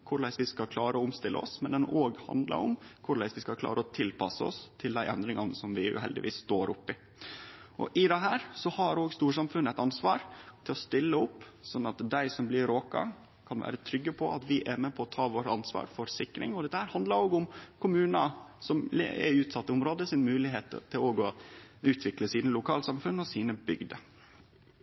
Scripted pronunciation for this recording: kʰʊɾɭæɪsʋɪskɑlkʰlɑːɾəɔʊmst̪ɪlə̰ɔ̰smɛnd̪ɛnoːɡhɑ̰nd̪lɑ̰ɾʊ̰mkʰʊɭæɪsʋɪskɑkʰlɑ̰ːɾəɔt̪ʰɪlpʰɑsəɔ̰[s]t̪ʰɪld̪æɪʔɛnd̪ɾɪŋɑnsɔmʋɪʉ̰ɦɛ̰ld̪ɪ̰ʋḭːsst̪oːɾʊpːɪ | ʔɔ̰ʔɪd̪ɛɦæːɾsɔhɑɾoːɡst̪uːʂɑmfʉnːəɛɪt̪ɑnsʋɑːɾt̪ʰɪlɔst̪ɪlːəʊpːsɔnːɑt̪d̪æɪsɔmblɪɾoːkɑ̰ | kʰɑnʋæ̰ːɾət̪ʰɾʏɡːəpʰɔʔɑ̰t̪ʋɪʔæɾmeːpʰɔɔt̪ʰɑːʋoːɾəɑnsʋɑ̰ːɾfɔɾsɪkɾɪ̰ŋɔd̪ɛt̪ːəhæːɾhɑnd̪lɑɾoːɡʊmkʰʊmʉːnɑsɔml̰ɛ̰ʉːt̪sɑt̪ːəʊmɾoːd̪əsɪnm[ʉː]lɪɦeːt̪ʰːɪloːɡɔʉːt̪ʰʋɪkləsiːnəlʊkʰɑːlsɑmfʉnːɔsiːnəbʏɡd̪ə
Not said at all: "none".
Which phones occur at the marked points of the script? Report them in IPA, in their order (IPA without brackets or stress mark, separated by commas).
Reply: s, ʉː